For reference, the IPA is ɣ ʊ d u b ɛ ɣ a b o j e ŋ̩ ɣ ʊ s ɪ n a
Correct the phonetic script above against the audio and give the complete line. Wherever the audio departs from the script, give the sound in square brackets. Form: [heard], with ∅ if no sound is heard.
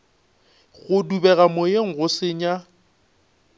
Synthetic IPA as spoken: ɣ ʊ d u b ɛ ɣ a [m] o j e ŋ̩ ɣ ʊ s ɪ [ɲ] a